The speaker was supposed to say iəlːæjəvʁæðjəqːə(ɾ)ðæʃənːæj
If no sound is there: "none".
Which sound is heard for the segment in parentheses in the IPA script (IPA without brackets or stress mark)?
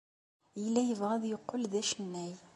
l